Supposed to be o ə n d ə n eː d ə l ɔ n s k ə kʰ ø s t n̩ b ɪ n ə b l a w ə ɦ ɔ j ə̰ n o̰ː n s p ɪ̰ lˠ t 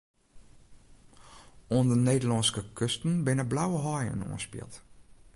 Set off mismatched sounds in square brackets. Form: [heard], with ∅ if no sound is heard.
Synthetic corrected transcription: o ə n d ə n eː d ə l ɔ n s k ə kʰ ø s t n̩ b ɪ n ə b l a w ə ɦ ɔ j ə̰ n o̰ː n s p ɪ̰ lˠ t